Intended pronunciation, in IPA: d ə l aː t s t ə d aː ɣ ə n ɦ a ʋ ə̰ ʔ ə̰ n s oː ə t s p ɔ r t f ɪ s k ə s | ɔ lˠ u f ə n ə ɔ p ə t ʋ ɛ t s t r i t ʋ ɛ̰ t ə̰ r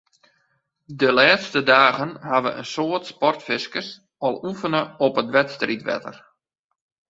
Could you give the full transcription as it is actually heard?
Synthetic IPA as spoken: d ə l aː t s t ə d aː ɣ ə n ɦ a ʋ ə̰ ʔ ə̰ n s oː ə t s p ɔ r t f ɪ s k ə s | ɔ lˠ u f ə n ə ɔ p ə t ʋ ɛ t s t r i t ʋ ɛ̰ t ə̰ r